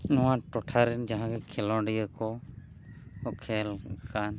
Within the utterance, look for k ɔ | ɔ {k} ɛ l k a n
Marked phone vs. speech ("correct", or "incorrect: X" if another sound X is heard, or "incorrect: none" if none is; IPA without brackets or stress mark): incorrect: kʰ